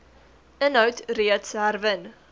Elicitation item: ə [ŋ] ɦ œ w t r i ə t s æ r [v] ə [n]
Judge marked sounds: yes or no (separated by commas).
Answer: no, yes, yes